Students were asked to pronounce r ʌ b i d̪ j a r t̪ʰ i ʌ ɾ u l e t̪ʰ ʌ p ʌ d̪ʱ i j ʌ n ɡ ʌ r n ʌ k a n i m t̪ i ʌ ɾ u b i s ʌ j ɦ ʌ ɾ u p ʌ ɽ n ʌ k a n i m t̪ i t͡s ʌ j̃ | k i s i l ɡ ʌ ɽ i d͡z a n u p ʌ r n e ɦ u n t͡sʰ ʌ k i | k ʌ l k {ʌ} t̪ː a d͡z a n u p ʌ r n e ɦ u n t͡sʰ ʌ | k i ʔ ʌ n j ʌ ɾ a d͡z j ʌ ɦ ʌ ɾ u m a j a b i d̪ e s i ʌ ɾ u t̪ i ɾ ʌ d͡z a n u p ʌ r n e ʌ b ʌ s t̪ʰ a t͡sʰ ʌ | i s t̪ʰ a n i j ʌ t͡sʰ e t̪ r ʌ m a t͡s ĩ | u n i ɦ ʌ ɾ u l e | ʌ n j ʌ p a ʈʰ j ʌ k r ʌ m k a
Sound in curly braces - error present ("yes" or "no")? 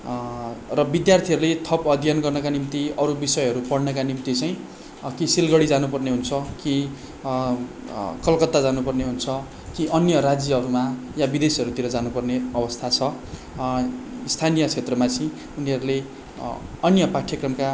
no